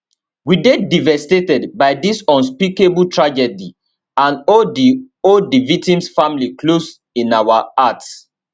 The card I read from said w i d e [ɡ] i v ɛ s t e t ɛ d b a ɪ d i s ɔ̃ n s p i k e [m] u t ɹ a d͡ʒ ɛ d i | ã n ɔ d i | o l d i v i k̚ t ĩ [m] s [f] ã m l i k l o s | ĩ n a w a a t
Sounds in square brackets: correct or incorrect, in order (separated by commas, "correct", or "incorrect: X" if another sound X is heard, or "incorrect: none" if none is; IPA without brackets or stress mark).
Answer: incorrect: d, incorrect: b, correct, correct